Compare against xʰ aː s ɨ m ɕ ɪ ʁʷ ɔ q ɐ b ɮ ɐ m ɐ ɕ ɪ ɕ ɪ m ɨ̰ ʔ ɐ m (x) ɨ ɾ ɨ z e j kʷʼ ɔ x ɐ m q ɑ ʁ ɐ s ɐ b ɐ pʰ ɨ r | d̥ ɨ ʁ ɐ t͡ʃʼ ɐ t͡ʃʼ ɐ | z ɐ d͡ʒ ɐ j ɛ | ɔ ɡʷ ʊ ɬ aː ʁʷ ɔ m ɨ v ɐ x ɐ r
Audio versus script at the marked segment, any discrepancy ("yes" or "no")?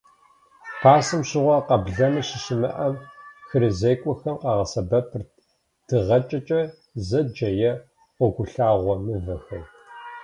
no